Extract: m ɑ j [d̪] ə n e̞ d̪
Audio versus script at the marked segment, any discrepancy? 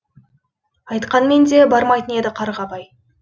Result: yes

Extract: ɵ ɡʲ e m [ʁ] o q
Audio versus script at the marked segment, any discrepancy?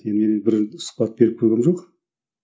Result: yes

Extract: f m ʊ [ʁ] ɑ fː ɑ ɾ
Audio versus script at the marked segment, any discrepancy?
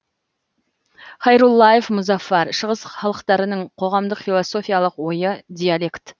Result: yes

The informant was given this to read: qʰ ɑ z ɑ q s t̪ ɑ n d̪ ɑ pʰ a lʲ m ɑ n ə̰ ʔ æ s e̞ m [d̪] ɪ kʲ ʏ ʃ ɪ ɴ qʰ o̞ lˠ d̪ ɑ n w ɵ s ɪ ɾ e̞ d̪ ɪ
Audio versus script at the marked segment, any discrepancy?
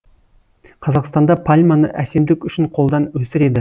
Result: no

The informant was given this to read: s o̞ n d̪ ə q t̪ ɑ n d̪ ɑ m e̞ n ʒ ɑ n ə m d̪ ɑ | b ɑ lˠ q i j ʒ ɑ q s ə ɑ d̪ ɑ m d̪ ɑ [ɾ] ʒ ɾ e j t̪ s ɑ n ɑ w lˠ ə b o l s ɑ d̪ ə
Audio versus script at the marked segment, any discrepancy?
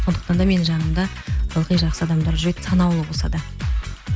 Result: no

